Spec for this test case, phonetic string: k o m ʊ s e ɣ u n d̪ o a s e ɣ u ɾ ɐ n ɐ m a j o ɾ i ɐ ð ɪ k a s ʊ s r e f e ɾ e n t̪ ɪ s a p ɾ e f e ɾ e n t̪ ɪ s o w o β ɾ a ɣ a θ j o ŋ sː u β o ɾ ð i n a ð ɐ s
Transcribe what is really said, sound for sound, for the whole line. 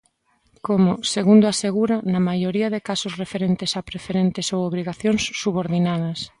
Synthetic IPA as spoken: k o m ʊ s e ɣ u n d̪ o a s e ɣ u ɾ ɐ n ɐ m a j o ɾ i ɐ ð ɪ k a s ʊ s r e f e ɾ e n t̪ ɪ s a p ɾ e f e ɾ e n t̪ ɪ s o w o β ɾ i ɣ a θ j o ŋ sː u β o ɾ ð i n a ð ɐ s